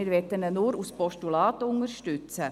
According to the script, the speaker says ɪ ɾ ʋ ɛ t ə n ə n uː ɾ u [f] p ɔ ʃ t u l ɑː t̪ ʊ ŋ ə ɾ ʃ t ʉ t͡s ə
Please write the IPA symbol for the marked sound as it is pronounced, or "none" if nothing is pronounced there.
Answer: s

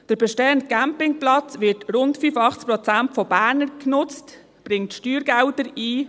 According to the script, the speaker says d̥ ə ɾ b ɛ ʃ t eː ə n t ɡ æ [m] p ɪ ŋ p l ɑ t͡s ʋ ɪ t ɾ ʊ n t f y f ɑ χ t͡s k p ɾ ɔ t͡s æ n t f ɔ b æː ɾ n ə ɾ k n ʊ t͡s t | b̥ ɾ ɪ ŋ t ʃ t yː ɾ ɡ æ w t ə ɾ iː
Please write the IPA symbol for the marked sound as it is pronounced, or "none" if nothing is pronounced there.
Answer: m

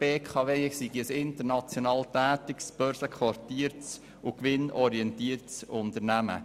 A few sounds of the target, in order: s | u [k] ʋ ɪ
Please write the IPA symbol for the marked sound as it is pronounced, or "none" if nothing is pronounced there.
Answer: k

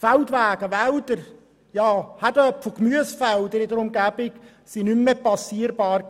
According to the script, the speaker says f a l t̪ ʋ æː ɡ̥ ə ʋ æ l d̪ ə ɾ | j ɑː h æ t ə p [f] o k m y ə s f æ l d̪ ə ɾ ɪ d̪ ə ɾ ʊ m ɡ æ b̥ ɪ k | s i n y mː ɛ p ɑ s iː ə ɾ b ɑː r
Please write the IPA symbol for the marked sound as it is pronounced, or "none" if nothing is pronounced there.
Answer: f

